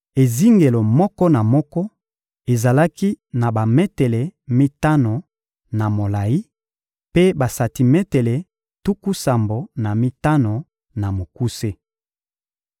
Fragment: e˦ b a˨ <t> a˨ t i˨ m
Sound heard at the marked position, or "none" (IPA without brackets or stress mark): s